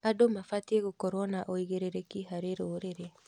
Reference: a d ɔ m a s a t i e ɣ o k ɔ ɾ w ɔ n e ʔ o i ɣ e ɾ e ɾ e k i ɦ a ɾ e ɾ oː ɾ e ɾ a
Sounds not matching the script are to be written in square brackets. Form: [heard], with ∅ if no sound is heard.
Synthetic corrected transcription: a d [o] m a [f] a t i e ɣ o k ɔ ɾ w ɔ n [a] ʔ o i ɣ e ɾ e ɾ e k i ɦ a ɾ e ɾ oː ɾ e ɾ [e]